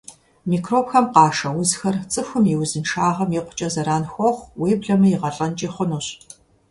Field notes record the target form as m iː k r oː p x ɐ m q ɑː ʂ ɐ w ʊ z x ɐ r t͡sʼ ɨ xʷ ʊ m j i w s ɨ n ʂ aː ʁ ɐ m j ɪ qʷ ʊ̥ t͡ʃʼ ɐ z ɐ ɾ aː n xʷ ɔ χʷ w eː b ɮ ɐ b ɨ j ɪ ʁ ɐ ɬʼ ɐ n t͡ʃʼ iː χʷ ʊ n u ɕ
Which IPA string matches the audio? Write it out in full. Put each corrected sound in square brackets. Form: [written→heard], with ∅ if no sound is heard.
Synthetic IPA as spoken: m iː k r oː p x ɐ m q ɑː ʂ ɐ w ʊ z x ɐ r t͡sʼ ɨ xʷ ʊ m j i w [s→z] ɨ n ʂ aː ʁ ɐ m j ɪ qʷ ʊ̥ t͡ʃʼ ɐ z ɐ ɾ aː n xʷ ɔ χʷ w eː b ɮ ɐ [b→m] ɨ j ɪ ʁ ɐ ɬʼ ɐ n t͡ʃʼ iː χʷ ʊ n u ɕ